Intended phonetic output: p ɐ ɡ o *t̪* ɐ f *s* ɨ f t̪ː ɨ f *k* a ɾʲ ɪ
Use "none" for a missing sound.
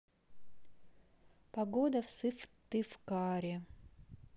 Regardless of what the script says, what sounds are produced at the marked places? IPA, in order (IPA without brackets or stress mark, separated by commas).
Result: d̪, s, k